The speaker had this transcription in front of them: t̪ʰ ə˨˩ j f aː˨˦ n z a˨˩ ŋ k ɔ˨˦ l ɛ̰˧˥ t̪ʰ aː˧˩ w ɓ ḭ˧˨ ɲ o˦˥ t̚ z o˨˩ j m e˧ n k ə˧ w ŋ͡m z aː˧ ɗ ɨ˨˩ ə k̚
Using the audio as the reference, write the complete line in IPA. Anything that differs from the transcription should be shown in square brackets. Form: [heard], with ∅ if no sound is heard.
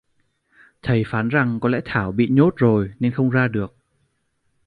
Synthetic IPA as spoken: t̪ʰ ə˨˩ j f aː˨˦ n z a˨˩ ŋ k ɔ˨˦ l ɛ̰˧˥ t̪ʰ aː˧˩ w ɓ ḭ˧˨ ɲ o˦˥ t̚ z o˨˩ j [n] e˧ n [x] ə˧ w ŋ͡m z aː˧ ɗ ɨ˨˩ ə k̚